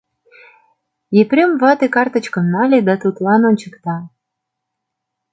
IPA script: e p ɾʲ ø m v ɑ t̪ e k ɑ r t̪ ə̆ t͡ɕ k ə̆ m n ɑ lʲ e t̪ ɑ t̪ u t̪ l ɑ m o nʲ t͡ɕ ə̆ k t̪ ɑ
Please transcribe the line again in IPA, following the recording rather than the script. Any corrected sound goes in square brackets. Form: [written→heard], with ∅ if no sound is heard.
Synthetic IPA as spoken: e p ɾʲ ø m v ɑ t̪ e k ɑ r t̪ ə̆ t͡ɕ k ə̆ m n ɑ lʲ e [t̪→d̪] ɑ t̪ u t̪ l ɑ [m→n] o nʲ t͡ɕ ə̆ k t̪ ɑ